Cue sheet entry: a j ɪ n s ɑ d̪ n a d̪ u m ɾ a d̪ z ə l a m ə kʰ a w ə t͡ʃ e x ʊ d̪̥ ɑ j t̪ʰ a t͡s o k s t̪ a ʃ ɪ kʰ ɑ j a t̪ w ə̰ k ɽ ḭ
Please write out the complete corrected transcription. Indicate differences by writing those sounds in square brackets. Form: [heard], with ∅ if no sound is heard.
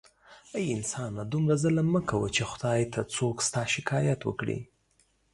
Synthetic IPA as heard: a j ɪ n s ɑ [∅] n a d̪ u m ɾ a [∅] z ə l a m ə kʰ a w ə t͡ʃ e x ʊ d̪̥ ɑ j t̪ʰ a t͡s o k s t̪ [ɑ] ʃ ɪ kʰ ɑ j a t̪ w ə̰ k ɽ ḭ